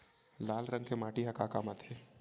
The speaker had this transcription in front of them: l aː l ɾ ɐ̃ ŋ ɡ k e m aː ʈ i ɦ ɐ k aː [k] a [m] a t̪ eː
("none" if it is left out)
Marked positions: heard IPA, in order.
k, m

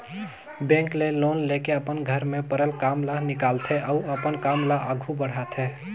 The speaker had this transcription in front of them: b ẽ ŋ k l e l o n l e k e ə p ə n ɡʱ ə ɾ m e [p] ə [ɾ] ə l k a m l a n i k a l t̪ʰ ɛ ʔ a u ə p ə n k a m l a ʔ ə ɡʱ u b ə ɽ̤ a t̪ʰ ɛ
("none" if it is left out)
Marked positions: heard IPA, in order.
p, ɾ

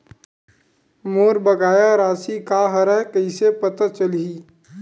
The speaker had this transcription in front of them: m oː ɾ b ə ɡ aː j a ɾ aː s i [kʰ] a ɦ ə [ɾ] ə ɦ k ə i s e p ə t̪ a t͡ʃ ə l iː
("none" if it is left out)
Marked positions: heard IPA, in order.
k, ɾ

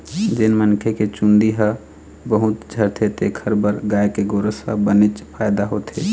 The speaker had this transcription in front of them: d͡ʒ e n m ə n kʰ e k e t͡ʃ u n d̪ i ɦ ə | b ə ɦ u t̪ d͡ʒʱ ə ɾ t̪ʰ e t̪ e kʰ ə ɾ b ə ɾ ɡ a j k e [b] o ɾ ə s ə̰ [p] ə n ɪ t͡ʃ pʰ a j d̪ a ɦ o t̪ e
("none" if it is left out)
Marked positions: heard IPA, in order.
ɡ, b

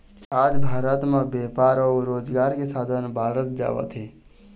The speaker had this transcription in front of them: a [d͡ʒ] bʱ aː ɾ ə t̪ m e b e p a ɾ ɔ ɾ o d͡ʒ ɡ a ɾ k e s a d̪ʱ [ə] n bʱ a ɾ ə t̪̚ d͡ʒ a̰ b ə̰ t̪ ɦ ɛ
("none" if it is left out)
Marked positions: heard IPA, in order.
d͡ʒ, ə

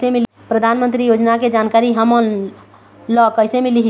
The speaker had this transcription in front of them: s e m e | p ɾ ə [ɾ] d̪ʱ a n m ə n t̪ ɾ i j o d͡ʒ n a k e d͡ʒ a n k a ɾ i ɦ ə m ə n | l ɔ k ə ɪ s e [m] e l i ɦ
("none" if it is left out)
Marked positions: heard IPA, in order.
none, m

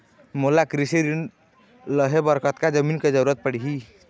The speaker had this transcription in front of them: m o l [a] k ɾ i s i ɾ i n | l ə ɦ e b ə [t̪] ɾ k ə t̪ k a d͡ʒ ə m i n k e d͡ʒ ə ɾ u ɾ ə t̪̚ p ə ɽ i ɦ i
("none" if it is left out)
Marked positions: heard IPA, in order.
a, none

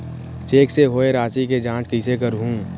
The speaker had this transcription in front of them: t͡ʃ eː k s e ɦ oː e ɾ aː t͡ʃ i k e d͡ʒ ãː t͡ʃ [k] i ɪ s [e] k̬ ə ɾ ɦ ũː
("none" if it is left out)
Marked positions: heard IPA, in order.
k, e

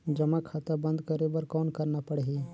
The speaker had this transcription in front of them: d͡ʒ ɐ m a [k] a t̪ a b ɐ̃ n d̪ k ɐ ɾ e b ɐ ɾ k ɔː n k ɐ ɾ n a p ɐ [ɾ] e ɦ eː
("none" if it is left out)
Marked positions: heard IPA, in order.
kʰ, ɽ

